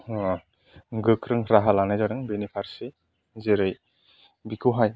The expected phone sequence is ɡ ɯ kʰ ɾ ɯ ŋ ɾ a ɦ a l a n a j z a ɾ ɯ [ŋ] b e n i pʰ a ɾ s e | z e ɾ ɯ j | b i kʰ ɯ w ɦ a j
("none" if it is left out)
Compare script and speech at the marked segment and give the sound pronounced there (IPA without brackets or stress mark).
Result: ŋ